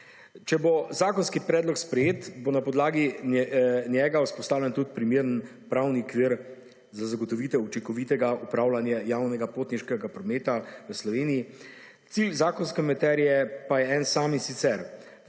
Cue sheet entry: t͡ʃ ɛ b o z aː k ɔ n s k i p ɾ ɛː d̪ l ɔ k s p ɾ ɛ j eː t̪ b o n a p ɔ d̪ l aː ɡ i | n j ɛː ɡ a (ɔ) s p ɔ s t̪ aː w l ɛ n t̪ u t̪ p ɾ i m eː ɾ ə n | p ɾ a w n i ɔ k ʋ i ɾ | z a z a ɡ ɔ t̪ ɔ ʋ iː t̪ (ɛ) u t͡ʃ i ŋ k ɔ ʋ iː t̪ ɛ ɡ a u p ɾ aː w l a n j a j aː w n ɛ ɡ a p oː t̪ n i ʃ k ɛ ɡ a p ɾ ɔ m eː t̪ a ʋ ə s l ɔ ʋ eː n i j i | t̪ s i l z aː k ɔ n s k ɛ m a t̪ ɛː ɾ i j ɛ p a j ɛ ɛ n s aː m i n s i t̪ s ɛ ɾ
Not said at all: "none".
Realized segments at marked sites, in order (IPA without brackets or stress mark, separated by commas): u, ɛ